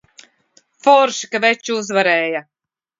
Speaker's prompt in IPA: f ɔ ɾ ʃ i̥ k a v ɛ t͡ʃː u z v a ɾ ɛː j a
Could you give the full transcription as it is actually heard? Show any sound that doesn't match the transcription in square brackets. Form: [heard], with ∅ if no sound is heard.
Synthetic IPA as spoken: f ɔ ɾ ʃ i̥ k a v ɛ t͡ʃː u z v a ɾ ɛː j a